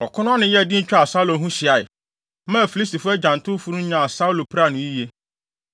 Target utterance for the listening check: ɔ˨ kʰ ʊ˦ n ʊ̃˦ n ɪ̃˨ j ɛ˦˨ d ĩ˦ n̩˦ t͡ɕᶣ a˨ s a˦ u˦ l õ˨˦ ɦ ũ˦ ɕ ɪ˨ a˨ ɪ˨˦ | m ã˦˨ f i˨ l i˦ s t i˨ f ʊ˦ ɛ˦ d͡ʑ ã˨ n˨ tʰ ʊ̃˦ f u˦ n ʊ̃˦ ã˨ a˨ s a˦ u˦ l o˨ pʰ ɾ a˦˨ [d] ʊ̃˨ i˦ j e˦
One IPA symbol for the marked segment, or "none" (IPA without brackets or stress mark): n